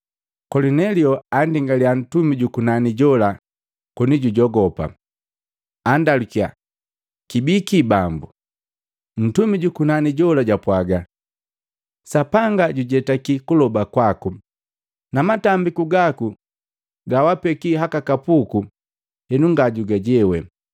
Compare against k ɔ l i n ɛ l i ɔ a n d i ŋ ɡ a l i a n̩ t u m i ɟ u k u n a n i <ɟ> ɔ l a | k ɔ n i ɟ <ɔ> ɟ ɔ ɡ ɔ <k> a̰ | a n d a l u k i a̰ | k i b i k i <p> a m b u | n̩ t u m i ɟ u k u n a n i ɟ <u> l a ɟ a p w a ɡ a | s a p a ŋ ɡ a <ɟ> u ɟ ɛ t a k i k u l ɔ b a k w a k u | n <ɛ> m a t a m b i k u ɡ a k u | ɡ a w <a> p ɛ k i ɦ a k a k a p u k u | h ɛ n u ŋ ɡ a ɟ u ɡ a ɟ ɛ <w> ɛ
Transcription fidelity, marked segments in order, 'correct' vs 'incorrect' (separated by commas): correct, incorrect, incorrect, incorrect, incorrect, correct, incorrect, correct, correct